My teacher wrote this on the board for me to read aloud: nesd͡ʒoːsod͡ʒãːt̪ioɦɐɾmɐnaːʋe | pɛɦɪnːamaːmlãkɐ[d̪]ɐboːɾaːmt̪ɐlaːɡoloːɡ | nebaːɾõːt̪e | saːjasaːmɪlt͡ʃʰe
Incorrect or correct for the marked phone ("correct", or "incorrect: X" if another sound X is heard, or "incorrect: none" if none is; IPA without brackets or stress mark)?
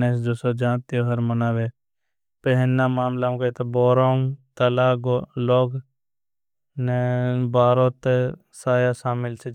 incorrect: t̪